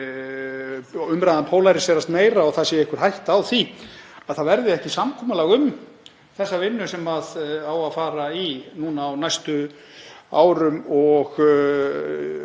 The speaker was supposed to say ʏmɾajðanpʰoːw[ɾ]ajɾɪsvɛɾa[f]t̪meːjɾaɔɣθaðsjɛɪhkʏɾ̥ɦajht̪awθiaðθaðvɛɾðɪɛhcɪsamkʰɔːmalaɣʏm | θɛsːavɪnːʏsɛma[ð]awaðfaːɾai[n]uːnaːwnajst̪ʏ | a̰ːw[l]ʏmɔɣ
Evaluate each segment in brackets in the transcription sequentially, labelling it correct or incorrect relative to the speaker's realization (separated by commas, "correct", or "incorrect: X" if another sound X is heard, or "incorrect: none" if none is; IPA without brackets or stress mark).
incorrect: l, incorrect: s, correct, correct, incorrect: ɾ